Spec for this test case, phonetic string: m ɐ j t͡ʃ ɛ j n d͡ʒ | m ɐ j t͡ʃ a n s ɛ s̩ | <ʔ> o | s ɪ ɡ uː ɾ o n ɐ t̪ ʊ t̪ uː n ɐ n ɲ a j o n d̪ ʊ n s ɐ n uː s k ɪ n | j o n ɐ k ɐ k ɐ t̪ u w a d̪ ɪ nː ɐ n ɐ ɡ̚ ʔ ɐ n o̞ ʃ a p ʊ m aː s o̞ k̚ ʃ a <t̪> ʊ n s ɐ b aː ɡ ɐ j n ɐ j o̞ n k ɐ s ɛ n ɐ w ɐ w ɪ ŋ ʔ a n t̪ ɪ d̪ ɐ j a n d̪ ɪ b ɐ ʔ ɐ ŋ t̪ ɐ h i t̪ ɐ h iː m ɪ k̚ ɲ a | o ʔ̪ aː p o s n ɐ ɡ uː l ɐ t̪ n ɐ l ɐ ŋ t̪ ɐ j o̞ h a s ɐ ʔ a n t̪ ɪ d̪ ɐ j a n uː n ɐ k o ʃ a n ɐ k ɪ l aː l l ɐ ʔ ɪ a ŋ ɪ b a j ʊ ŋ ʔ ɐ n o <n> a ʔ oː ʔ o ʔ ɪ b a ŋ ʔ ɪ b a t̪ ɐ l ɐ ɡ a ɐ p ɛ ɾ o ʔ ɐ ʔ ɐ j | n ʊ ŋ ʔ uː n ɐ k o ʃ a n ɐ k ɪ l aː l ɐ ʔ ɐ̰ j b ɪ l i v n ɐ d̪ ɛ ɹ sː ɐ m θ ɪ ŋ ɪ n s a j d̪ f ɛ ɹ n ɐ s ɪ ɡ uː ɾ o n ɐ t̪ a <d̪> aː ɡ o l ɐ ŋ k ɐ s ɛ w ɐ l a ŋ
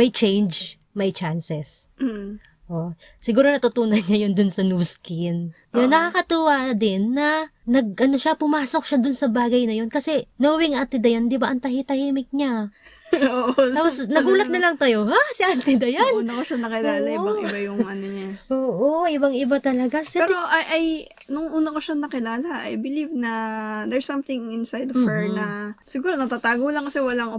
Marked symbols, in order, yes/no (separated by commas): yes, no, no, no